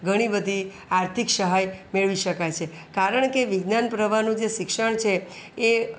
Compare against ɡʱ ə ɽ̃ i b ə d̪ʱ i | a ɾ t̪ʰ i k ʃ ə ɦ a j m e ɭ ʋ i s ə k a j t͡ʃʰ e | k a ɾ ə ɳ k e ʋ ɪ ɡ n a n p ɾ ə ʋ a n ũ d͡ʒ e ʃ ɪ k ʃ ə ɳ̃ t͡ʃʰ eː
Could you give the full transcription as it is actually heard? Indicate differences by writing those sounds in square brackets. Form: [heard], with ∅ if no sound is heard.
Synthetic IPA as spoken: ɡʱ ə ɽ̃ i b ə d̪ʱ i | a ɾ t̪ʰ i k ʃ ə ɦ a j m e ɭ ʋ i [ʃ] ə k a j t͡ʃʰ e | k a ɾ ə ɳ k e ʋ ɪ ɡ n a n p ɾ ə ʋ a n ũ d͡ʒ e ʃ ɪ k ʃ ə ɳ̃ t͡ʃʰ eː